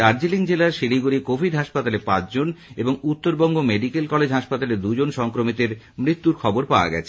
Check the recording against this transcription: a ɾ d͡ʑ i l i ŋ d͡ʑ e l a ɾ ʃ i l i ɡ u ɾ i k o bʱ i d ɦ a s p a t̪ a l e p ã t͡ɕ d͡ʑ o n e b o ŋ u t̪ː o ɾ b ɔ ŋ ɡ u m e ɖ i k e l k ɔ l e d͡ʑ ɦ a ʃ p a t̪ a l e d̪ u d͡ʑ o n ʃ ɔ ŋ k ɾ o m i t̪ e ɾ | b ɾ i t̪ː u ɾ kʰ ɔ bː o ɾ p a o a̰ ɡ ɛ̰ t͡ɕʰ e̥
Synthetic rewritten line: a ɾ d͡ʑ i l i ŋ d͡ʑ e l a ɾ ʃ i l i ɡ u ɾ i k o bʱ i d ɦ a ʃ p a t̪ a l e p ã t͡ɕ d͡ʑ o n e b o ŋ u t̪ː o ɾ b ɔ ŋ ɡ o m e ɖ i k e l k ɔ l e d͡ʑ ɦ a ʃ p a t̪ a l e d̪ u d͡ʑ o n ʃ ɔ ŋ k ɾ o m i t̪ e ɾ | m ɾ i t̪ː u ɾ kʰ ɔ b o ɾ p a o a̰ ɡ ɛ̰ t͡ɕʰ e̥